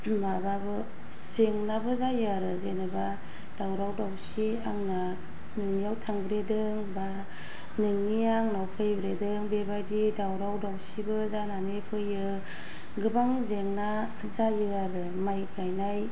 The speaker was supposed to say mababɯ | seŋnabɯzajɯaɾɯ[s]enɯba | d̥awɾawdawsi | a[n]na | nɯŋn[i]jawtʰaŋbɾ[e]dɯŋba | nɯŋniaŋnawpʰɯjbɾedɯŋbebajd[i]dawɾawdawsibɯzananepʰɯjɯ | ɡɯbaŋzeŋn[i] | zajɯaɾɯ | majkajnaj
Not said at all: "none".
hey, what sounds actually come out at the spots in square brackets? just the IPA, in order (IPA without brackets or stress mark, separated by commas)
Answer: z, ŋ, i, e, i, a